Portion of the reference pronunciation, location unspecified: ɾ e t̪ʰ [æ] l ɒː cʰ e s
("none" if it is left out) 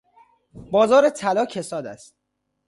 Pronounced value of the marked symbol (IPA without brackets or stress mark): æ